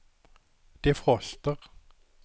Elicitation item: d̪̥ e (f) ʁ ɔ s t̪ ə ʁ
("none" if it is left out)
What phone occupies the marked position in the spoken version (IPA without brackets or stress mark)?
f